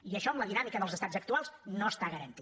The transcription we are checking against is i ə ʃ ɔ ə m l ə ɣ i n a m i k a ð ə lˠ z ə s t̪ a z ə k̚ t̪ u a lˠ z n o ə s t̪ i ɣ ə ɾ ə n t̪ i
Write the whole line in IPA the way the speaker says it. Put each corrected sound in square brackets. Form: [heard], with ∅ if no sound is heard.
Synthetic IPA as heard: i ə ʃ ɔ ə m l ə [ð] i n a m i k [ə] ð ə lˠ z ə s t̪ a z ə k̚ t̪ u a lˠ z n o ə s t̪ [a] ɣ ə ɾ ə n t̪ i